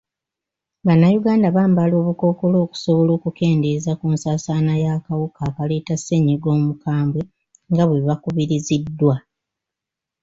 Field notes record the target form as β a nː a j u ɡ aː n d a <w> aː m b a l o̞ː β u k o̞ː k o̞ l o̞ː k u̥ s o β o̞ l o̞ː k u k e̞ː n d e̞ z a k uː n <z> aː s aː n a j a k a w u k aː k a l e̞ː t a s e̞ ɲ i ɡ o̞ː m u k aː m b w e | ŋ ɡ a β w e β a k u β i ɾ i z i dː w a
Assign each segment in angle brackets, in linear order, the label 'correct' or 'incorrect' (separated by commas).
incorrect, incorrect